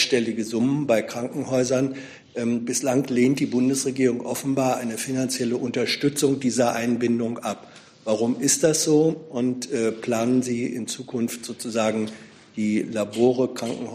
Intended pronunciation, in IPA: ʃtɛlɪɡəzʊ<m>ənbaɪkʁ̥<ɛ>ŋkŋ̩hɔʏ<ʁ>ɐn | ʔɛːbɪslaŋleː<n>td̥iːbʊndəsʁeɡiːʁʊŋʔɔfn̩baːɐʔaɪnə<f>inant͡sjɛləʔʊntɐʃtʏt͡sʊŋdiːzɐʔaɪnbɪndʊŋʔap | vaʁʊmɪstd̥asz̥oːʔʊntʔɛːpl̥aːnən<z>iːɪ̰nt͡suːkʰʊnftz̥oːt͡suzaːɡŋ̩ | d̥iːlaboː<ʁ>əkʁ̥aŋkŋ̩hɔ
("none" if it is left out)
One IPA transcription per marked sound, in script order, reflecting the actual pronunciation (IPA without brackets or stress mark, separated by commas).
m, a, z, n, f, z, ʁ